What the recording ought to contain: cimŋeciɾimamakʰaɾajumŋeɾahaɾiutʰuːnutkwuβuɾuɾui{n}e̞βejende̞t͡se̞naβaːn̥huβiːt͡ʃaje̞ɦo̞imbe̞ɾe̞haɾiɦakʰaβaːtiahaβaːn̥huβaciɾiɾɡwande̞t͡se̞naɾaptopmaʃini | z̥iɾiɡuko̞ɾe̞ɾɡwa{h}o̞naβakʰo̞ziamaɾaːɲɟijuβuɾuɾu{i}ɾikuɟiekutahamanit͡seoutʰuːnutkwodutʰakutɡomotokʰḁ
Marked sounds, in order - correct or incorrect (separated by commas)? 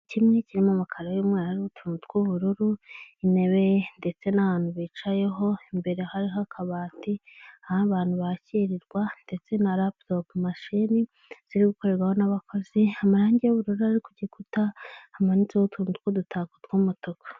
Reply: correct, correct, incorrect